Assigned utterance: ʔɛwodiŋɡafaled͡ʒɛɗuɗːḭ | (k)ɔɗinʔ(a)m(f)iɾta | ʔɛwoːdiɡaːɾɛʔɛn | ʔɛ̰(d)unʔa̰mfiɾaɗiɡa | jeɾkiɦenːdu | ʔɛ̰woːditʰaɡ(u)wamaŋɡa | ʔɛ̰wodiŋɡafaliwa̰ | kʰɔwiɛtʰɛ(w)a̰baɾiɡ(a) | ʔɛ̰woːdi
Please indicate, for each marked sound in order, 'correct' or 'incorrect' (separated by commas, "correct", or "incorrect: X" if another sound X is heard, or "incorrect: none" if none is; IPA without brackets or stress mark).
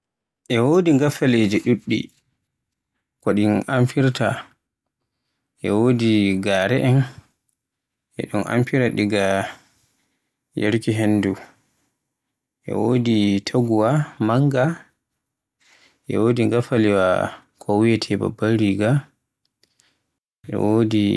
correct, correct, correct, incorrect: ɗ, correct, incorrect: b, correct